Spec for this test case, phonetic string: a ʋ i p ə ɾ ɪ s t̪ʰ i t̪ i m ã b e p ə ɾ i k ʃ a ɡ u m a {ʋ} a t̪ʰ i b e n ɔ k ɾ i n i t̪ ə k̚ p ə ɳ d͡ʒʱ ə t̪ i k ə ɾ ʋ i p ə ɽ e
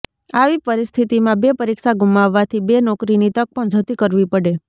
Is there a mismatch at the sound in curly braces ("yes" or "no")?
yes